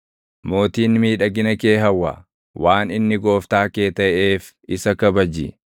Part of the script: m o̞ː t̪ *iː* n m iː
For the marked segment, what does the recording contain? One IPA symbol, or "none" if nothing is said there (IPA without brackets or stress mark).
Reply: iː